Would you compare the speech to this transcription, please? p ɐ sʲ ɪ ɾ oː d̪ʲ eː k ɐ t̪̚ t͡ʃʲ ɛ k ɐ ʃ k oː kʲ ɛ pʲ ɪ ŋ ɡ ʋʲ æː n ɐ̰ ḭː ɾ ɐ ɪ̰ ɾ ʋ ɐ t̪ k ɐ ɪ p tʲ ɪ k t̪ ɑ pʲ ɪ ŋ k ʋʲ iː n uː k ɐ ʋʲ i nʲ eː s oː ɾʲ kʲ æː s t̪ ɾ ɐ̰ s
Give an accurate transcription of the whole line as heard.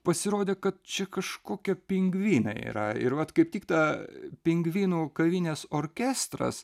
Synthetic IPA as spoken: p ɐ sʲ ɪ ɾ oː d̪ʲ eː k ɐ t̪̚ t͡ʃʲ ɛ k ɐ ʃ k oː kʲ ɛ pʲ ɪ ŋ ɡ ʋʲ iː n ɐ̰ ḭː ɾ ɐ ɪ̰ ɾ ʋ ɐ t̪ k ɐ ɪ p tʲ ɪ k t̪ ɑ pʲ ɪ ŋ ɡ ʋʲ iː n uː k ɐ ʋʲ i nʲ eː s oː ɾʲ kʲ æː s t̪ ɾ ɐ̰ s